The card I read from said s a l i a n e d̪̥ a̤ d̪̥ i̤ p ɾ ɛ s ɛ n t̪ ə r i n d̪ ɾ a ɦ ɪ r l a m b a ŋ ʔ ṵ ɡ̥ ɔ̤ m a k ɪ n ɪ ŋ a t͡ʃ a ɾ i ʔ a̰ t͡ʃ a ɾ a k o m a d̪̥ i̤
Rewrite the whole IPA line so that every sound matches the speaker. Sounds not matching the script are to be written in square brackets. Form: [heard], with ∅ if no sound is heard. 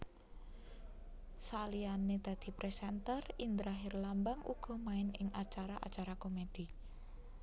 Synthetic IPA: s a l i a n e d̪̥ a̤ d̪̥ i̤ p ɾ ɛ s ɛ n t̪ ə r i n d̪ ɾ a ɦ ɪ r l a m b a ŋ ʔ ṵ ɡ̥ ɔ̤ m a [∅] ɪ n ɪ ŋ a t͡ʃ a ɾ [a] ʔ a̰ t͡ʃ a ɾ a k o m [e] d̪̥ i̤

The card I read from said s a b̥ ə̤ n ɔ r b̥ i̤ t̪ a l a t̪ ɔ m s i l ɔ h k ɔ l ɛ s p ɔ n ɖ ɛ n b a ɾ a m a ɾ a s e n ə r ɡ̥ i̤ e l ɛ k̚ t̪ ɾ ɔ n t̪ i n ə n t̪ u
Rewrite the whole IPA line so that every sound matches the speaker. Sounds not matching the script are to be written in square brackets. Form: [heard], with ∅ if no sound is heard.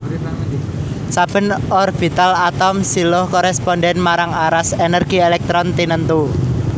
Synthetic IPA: s a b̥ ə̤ n ɔ r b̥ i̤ t̪ a l a t̪ ɔ m s i l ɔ h k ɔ [ɾ] ɛ s p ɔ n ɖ ɛ n [m] a ɾ a [ŋ] a ɾ a s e n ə r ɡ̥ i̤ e l ɛ k̚ t̪ ɾ ɔ n t̪ i n ə n t̪ u

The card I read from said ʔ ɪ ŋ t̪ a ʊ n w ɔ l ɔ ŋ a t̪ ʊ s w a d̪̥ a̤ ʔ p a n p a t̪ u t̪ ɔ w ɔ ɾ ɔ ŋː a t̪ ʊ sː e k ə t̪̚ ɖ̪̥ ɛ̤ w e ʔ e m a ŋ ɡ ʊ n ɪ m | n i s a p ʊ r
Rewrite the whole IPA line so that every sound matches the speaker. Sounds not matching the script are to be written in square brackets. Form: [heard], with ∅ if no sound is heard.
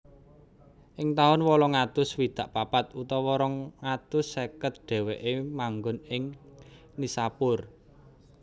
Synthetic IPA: ʔ ɪ ŋ t̪ a ʊ n w ɔ l ɔ ŋ a t̪ ʊ s w [i] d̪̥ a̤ ʔ p a [∅] p a t̪ u t̪ ɔ w ɔ ɾ ɔ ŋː a t̪ ʊ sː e k ə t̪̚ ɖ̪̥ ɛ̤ w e ʔ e m a ŋ ɡ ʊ n ɪ [ŋ] | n i s a p ʊ r

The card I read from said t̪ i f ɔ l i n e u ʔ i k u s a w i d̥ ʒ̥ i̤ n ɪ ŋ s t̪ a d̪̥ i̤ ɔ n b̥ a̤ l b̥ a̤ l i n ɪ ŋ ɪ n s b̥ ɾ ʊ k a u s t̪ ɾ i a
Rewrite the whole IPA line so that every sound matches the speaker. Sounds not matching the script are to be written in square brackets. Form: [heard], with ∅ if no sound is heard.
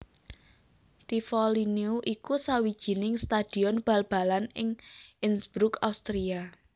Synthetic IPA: t̪ i f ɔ l i n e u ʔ i k u s a w i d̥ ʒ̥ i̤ n ɪ ŋ s t̪ a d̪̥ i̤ ɔ n b̥ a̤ l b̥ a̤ l [a] n ɪ ŋ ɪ n s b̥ ɾ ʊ k a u s t̪ ɾ i a

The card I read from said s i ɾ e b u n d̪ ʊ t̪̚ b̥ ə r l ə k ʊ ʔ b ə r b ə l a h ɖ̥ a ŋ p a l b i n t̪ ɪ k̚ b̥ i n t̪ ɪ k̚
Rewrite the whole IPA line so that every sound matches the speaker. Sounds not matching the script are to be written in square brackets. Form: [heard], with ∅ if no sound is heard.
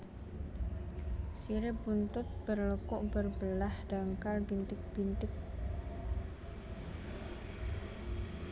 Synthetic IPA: s i ɾ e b u n [t̪] ʊ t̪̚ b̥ ə r l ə k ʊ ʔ b ə r b ə l a h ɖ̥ a ŋ [k] a l b i n t̪ ɪ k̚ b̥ i n t̪ ɪ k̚

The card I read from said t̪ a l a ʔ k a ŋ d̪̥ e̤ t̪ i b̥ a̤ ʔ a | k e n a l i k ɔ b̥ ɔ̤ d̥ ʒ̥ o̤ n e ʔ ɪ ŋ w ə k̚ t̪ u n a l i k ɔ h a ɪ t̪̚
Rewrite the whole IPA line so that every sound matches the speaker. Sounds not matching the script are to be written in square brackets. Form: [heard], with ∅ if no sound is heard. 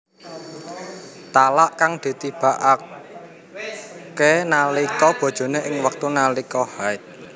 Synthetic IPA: t̪ a l a ʔ k a ŋ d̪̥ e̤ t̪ i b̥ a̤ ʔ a | k e n a l i k ɔ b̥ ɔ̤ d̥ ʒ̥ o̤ n e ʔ ɪ ŋ w ə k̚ t̪ u n a l i k ɔ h a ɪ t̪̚

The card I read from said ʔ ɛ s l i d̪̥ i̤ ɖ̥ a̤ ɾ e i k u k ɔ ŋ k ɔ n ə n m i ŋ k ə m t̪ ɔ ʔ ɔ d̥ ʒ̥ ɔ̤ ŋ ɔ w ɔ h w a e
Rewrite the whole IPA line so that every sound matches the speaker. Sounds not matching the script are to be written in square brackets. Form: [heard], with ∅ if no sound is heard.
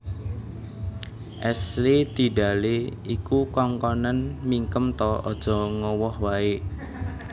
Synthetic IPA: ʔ ɛ s l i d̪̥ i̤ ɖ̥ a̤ [l] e i k u k ɔ ŋ k ɔ n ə n m i ŋ k ə m t̪ ɔ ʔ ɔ d̥ ʒ̥ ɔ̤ ŋ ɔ w ɔ h w a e

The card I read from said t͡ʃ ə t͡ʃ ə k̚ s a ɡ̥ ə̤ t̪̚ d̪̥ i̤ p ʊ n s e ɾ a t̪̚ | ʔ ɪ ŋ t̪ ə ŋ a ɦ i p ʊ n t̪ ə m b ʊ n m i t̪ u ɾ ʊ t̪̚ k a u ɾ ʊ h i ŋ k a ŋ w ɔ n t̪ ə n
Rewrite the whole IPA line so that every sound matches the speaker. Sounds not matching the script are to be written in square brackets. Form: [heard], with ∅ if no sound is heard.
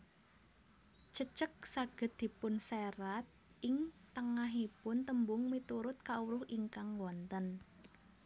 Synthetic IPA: t͡ʃ ə t͡ʃ ə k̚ s a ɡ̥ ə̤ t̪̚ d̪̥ i̤ p ʊ n s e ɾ a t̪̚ | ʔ ɪ ŋ t̪ ə ŋ a ɦ i p ʊ n t̪ ə m b ʊ [ŋ] m i t̪ u ɾ ʊ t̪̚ k a u ɾ ʊ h i ŋ k a ŋ w ɔ n t̪ ə n

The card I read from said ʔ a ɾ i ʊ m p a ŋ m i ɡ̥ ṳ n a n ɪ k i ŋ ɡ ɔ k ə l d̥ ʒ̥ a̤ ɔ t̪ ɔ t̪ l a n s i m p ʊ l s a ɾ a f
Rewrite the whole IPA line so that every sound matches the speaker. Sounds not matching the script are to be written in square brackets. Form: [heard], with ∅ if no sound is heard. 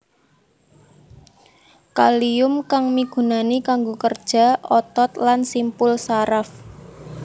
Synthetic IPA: [k] a [l] i ʊ m [k] a ŋ m i ɡ̥ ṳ n a n [i] k [a] ŋ ɡ [o] k ə [r] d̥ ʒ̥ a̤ ɔ t̪ ɔ t̪ l a n s i m p ʊ l s a ɾ a f

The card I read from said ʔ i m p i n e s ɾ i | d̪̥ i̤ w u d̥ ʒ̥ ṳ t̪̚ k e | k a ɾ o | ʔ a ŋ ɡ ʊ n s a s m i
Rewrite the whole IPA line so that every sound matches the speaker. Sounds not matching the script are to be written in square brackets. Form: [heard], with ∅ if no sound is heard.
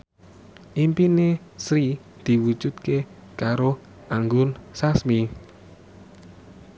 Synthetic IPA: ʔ i m p i n e s ɾ i | d̪̥ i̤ w u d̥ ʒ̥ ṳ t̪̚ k e | k a ɾ o | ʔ a ŋ ɡ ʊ n s a s m i

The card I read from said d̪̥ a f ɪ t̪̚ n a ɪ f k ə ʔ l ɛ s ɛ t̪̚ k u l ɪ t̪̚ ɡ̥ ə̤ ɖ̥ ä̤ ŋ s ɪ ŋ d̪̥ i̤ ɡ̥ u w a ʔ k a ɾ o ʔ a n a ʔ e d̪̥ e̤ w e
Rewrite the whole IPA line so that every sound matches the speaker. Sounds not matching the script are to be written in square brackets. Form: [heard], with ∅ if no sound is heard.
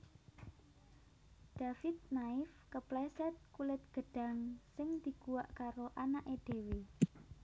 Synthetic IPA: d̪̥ a f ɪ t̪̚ n a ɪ f k ə [p] l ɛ s ɛ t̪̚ k u l ɪ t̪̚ ɡ̥ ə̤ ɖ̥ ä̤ ŋ s ɪ ŋ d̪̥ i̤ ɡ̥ u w a ʔ k a ɾ o ʔ a n a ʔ e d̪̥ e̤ w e

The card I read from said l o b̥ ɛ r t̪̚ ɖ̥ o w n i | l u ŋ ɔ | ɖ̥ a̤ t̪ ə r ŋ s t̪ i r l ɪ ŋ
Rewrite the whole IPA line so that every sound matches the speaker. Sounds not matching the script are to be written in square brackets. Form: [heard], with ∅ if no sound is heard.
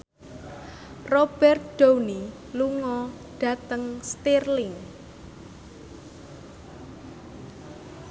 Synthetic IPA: [r] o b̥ ɛ r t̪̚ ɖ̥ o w n i | l u ŋ ɔ | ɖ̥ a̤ t̪ ə [∅] ŋ s t̪ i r l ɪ ŋ

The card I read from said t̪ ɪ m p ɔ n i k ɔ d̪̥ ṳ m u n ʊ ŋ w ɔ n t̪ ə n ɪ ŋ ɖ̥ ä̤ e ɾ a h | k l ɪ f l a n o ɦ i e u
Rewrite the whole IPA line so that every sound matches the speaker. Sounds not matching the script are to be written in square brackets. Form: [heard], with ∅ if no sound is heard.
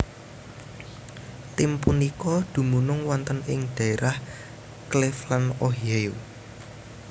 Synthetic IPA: t̪ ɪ m p [u] n i k ɔ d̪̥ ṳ m u n ʊ ŋ w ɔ n t̪ ə n ɪ ŋ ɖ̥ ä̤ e ɾ a h | k l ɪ f l a n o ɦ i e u

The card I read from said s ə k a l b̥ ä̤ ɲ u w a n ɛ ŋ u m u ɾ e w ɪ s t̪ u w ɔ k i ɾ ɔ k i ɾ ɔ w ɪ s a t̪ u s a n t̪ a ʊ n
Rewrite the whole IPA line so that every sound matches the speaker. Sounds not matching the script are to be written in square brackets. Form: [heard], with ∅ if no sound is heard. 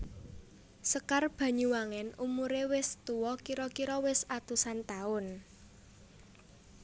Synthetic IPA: s ə k a [r] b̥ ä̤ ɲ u w a [ŋ] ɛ [n] u m u ɾ e w ɪ s t̪ u w ɔ k i ɾ ɔ k i ɾ ɔ w ɪ s a t̪ u s a n t̪ a ʊ n

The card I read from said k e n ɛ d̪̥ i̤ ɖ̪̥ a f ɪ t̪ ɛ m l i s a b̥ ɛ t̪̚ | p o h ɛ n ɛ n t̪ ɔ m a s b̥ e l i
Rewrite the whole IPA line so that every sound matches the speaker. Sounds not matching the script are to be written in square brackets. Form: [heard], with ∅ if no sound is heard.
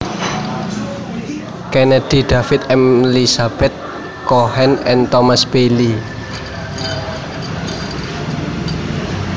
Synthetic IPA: k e n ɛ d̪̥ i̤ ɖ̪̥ a f ɪ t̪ ɛ m l i s a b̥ ɛ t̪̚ | [k] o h ɛ n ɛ n t̪ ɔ m a s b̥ e l i

